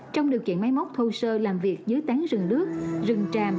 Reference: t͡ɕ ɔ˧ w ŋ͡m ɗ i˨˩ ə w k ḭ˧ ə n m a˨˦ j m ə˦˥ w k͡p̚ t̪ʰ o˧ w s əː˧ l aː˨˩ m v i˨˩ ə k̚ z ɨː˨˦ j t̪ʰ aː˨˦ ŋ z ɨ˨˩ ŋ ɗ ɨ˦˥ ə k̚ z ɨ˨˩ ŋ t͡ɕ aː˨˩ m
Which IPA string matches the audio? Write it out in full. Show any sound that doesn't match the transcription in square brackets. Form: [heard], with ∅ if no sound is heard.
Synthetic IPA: t͡ɕ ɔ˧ w ŋ͡m ɗ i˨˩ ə w k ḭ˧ ə n m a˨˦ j m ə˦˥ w k͡p̚ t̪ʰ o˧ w s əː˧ l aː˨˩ m v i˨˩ ə k̚ z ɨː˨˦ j [t̪] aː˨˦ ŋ z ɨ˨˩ ŋ ɗ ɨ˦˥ ə k̚ z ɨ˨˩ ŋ t͡ɕ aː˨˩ m